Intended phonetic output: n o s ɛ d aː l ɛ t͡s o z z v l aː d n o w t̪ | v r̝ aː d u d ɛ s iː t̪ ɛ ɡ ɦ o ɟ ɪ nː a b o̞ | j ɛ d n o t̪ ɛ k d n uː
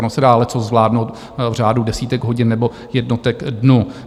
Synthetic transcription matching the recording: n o s ɛ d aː l ɛ t͡s o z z v l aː d n o w t̪ | v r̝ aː d u d ɛ s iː t̪ ɛ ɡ ɦ o ɟ ɪ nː ɛ b o̞ | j ɛ d n o t̪ ɛ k d n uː